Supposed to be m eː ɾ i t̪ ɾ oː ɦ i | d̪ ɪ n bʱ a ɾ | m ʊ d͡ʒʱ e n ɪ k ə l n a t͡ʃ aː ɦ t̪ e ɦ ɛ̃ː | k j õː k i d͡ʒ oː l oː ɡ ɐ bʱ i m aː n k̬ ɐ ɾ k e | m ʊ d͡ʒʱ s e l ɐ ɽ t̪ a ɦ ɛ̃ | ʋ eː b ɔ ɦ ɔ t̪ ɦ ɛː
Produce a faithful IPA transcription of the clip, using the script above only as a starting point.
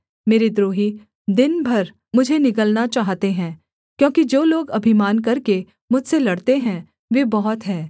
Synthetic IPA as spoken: m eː ɾ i d̪ ɾ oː ɦ i | d̪ ɪ n bʱ ɐ ɾ | m ʊ d͡ʒʱ e n ɪ k ə l n a t͡ʃ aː ɦ t̪ e ɦ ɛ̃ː | k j õː k i d͡ʒ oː l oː ɡ ɐ bʱ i m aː n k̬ ɐ ɾ k e | m ʊ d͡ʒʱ s e l ɐ ɽ t̪ e ɦ ɛ̃ | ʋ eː b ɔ ɦ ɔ t̪ ɦ ɛː

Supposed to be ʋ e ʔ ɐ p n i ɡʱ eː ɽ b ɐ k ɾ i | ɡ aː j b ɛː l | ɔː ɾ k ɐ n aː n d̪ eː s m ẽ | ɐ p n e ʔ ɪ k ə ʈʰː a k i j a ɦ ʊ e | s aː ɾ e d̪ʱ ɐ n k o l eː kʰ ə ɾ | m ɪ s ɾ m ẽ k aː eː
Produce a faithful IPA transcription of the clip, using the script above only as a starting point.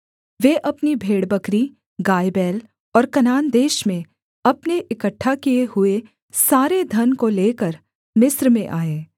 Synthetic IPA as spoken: ʋ e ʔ ɐ p n i bʱ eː ɽ b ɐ k ɾ i | ɡ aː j b ɛː l | ɔː ɾ k ɐ n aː n d̪ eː ʃ m ẽ | ɐ p n e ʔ ɪ k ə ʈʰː a k i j e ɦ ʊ e | s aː ɾ e d̪ʱ ɐ n k o l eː k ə ɾ | m ɪ s ɾ m ẽ ʔ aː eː

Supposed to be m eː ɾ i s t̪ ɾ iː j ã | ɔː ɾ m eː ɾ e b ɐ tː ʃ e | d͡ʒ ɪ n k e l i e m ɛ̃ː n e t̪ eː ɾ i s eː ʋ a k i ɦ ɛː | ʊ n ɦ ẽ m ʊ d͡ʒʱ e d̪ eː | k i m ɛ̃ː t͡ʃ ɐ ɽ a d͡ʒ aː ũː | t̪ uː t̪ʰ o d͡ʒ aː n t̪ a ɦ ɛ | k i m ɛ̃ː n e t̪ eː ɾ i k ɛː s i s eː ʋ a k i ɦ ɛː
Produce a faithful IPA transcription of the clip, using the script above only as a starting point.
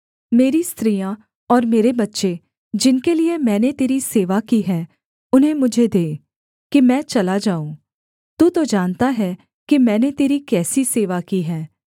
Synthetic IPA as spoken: m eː ɾ i s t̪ ɾ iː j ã | ɔː ɾ m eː ɾ e b ɐ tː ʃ e | d͡ʒ ɪ n k e l i e m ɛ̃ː n e t̪ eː ɾ i s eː ʋ a k i ɦ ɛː | ʊ n ɦ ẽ m ʊ d͡ʒʱ e d̪ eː | k i m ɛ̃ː t͡ʃ ɐ l a d͡ʒ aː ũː | t̪ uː t̪ o d͡ʒ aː n t̪ a ɦ ɛ | k i m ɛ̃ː n e t̪ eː ɾ i k ɛː s i s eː ʋ a k i ɦ ɛː

